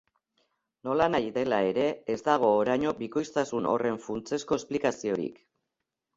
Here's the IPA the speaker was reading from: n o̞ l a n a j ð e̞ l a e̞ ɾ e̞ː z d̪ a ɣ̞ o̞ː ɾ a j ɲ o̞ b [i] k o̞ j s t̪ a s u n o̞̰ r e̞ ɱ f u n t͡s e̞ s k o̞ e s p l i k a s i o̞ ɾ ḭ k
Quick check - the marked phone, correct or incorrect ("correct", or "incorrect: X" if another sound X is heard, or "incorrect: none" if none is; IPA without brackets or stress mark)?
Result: correct